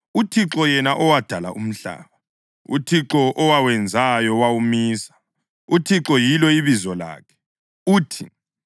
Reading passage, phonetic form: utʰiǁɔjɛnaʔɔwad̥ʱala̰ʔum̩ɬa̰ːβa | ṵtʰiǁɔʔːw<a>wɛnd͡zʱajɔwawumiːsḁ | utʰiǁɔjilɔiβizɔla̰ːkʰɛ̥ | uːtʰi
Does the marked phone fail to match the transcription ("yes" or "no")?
no